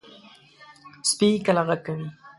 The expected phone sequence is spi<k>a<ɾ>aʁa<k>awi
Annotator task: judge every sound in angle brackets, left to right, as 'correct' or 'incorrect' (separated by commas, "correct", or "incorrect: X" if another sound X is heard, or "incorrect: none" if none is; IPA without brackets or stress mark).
correct, incorrect: l, correct